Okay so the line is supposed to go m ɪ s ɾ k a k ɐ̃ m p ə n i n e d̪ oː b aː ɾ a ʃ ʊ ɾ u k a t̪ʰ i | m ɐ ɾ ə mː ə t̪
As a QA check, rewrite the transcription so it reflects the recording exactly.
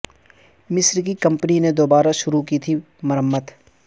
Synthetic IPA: m ɪ s ɾ k i k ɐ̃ m p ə n i n e d̪ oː b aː ɾ a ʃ ʊ ɾ u k i t̪ʰ i | m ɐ ɾ ə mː ə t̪